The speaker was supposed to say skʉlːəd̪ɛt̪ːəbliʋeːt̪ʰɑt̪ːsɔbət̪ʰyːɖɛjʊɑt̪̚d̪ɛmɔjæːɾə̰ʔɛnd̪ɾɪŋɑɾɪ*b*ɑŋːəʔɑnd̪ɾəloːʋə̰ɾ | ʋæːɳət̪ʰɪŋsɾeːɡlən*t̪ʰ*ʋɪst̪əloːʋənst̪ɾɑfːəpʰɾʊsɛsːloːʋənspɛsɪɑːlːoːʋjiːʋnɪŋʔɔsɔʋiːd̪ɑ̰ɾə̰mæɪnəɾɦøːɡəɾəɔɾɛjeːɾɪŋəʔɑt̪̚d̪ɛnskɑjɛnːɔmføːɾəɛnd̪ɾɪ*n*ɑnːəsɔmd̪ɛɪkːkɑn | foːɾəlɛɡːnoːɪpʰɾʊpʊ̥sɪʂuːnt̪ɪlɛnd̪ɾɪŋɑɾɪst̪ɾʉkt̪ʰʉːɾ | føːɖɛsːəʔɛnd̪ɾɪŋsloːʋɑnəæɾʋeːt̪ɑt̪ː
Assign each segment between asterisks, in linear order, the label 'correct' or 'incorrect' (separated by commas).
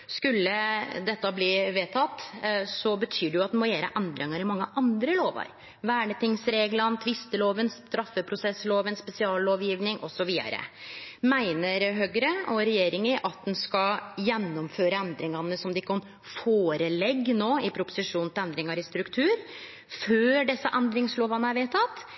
incorrect, correct, incorrect